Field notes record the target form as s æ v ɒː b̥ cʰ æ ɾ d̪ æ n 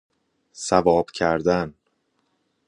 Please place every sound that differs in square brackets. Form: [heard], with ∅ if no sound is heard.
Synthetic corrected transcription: s æ v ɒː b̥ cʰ æ ɾ d̪ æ n